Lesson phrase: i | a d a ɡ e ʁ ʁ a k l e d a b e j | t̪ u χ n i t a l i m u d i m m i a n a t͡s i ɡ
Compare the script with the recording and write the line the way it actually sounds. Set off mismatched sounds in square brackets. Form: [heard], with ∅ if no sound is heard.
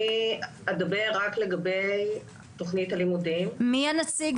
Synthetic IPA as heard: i | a d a [b] e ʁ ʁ a k l e [ɡ] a b e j | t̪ [o] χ n i t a l i m u d i m m i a n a t͡s i ɡ